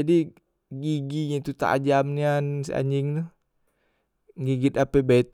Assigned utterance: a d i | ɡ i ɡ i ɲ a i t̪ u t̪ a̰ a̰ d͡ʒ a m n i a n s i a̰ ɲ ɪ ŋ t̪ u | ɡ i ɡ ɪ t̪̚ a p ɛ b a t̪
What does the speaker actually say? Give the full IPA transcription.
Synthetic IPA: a d i | ɡ i ɡ i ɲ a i t̪ u t̪ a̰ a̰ d͡ʒ a m n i a n s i a̰ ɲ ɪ ŋ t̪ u | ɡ i ɡ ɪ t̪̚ a p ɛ b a t̪